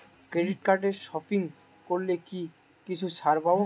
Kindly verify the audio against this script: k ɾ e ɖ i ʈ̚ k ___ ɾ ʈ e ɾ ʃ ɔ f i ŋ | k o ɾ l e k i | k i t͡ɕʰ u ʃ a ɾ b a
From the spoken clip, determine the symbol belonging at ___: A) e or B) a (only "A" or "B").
B